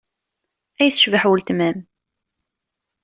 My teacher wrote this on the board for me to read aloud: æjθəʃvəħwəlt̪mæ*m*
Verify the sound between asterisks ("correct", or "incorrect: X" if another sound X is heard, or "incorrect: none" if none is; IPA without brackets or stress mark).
correct